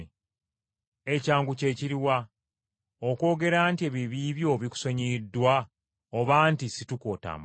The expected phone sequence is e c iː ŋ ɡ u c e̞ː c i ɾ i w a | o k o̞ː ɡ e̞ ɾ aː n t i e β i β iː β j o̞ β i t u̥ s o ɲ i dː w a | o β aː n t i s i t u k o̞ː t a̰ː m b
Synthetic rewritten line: e c aː ŋ ɡ u c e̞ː c i ɾ i w a | o k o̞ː ɡ e̞ ɾ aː n t i e β i β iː β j o̞ β i k u̥ s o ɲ i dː w a | o β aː n t i s i t u k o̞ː t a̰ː m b